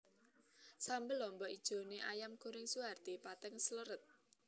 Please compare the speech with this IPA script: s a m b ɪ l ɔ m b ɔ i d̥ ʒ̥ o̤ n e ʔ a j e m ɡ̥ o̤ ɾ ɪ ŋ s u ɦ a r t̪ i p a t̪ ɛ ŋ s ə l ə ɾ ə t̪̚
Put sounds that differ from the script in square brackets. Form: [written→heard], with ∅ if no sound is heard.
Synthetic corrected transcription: s a m b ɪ l ɔ m b ɔ i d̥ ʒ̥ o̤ n e ʔ a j [e→a] m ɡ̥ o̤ ɾ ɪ ŋ s u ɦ a r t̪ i p a t̪ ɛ ŋ s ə l ə ɾ ə t̪̚